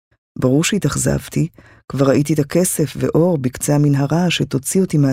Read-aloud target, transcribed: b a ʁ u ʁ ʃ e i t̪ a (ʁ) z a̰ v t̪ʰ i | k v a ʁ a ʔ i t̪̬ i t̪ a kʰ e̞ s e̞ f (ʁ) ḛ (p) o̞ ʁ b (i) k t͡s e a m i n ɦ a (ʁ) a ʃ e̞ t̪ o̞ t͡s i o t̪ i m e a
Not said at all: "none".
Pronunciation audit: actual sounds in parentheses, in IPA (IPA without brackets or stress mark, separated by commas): χ, v, ʔ, i, ʁ